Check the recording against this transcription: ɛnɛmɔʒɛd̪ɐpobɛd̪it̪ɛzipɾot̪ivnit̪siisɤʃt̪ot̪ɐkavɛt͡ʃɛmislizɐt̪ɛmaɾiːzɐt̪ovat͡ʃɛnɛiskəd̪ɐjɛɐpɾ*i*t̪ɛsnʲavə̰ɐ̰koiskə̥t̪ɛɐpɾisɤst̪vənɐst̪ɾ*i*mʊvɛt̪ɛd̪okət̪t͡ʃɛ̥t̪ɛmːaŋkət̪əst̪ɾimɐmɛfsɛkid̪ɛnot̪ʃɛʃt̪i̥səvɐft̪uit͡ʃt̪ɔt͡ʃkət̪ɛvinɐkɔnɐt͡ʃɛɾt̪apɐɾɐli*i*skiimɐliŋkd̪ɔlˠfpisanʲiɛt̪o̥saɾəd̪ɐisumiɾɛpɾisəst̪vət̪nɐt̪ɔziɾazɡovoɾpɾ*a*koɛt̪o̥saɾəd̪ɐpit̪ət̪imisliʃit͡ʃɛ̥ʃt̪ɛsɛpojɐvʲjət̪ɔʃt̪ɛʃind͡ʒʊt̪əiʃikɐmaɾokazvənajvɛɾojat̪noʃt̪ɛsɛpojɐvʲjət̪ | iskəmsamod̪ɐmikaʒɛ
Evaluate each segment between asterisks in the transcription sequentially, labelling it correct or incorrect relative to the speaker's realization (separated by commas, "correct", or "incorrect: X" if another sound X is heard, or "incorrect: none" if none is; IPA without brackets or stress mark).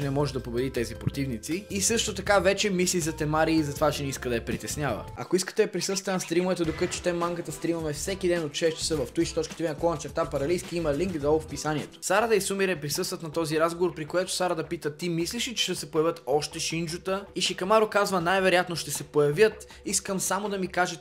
correct, correct, incorrect: j, incorrect: i